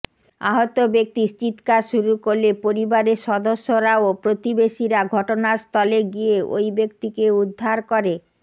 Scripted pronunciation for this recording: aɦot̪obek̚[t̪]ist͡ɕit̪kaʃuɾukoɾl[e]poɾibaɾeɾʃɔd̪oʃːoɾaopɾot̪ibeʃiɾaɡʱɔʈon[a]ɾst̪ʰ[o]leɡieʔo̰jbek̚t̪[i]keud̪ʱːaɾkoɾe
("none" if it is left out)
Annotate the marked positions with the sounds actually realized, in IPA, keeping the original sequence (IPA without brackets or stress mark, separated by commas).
t̪, e, a, ɔ, i